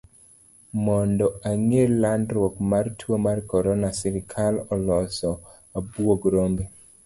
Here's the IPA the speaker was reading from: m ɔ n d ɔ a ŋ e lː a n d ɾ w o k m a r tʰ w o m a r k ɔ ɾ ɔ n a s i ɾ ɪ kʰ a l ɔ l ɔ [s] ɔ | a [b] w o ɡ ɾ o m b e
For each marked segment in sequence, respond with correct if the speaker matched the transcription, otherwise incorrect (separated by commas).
correct, correct